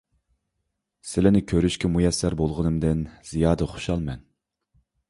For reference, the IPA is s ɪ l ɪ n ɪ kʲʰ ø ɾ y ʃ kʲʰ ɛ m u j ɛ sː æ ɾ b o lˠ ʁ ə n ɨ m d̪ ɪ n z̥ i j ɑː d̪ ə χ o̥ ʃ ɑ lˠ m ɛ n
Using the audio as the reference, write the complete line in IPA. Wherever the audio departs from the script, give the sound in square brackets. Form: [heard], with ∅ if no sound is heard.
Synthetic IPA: s ɪ l ɪ n ɪ kʲʰ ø ɾ y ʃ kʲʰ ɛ m u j ɛ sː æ ɾ b o lˠ ʁ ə n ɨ m d̪ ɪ n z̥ i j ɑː d̪ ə χ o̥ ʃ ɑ lˠ m ɛ n